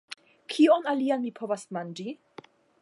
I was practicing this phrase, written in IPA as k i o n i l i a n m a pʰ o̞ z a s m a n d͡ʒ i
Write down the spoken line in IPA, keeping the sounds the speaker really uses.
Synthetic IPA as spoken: kʰ i o n a l i a n m i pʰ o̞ v a s m a n d͡ʒ i